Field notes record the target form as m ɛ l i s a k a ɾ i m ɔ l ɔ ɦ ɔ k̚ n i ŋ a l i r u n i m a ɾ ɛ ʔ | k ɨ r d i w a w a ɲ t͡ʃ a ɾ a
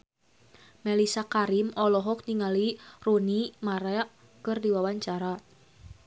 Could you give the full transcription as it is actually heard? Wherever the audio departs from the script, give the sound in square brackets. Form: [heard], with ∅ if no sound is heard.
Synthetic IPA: m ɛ l i s a k a ɾ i m ɔ l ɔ ɦ ɔ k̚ n i ŋ a l i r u n i m a ɾ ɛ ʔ | k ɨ r d i w a w a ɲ t͡ʃ a ɾ a